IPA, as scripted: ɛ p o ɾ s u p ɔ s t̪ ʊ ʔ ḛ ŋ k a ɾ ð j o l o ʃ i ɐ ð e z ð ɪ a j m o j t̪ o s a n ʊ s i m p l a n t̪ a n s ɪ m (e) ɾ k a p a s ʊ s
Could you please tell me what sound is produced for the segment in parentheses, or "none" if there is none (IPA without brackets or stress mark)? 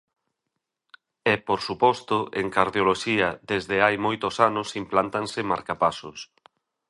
a